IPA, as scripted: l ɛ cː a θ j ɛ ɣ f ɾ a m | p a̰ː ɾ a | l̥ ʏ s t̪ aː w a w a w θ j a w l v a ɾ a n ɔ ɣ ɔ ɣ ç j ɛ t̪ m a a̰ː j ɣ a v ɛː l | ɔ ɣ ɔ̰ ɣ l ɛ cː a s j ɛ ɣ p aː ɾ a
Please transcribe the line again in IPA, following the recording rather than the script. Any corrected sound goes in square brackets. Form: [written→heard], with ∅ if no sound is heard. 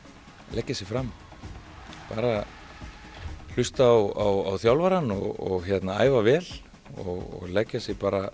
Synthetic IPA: l ɛ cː a [θ→s] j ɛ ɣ f ɾ a m | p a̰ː ɾ a | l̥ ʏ s t̪ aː w a w a w θ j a w l v a ɾ a n ɔ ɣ ɔ ɣ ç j ɛ t̪ [m→n] a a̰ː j [ɣ→v] a v ɛː l | ɔ ɣ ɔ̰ ɣ l ɛ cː a s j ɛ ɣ p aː ɾ a